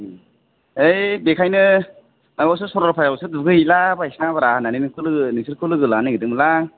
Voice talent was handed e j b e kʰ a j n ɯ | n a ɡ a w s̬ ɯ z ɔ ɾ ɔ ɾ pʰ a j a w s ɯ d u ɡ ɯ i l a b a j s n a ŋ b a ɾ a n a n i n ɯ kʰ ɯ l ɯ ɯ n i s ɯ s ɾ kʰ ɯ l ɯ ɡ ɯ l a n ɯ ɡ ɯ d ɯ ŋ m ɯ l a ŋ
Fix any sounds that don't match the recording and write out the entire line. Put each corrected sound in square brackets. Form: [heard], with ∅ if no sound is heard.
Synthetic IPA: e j b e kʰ a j n ɯ | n a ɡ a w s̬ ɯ [s] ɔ ɾ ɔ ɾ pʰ a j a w s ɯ d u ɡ ɯ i l a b a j s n a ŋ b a ɾ a n a n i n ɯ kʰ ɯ l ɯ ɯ n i s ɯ [∅] ɾ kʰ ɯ l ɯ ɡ ɯ l a n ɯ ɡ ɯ d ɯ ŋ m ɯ l a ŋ